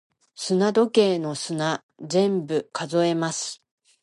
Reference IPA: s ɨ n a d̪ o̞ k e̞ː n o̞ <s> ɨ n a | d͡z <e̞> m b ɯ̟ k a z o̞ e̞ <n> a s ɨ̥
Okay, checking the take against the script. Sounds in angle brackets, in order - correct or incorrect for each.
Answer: correct, incorrect: ẽ̞, incorrect: m

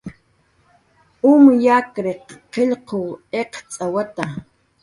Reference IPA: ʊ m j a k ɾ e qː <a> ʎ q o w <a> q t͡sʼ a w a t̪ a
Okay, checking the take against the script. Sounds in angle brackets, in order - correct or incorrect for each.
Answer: incorrect: e, incorrect: e

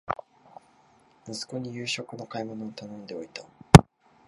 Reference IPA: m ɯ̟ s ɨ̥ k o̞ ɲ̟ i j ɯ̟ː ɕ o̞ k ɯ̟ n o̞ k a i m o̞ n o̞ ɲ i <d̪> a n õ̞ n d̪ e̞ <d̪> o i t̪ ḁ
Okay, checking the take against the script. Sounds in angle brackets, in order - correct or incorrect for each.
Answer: incorrect: t̪, incorrect: none

